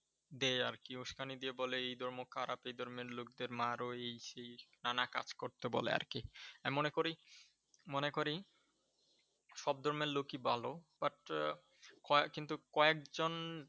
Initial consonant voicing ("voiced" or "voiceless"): voiced